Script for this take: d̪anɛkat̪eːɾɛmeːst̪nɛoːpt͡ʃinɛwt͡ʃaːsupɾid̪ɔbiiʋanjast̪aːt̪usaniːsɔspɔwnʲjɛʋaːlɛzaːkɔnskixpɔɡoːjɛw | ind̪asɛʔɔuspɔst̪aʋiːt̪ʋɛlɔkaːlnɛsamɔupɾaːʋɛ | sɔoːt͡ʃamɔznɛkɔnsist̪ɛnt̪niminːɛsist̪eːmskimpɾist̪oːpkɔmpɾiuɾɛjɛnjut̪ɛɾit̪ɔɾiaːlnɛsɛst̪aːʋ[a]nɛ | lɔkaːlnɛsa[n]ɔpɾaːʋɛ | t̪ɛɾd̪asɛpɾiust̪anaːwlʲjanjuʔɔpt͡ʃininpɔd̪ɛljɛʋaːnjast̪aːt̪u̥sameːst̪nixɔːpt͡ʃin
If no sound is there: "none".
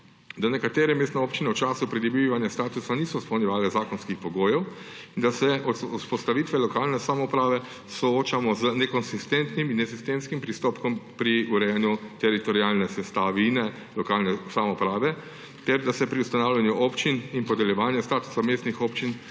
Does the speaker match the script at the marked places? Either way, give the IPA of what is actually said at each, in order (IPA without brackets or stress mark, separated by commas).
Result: i, m